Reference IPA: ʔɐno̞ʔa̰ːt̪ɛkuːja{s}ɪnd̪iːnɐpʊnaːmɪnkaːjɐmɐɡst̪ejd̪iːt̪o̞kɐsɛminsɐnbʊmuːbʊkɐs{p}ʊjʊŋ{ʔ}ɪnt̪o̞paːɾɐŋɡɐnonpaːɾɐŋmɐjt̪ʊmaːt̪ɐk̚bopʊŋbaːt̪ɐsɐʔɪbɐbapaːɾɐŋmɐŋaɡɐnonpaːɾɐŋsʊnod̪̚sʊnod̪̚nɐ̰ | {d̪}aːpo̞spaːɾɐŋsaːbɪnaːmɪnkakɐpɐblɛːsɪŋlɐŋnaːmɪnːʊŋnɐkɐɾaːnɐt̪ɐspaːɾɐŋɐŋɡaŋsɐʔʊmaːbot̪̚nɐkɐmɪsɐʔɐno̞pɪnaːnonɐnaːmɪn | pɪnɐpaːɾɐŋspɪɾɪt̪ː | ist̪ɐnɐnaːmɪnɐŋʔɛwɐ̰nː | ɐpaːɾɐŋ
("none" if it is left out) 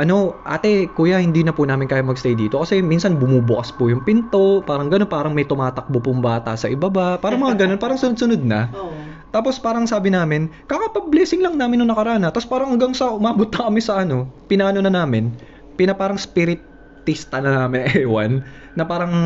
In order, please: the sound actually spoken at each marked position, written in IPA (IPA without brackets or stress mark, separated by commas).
h, p, p, t̪